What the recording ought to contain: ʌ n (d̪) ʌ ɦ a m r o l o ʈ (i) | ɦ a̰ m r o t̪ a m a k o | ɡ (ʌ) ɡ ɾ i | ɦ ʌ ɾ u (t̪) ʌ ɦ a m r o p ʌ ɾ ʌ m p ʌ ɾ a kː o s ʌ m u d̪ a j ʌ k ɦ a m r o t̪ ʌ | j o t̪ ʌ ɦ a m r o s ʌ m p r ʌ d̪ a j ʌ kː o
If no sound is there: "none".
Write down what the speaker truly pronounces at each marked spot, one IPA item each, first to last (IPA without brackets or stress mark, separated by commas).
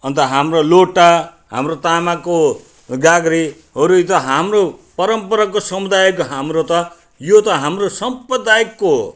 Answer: t̪, a, a, t̪